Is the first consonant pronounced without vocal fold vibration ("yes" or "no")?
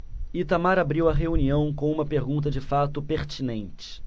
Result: yes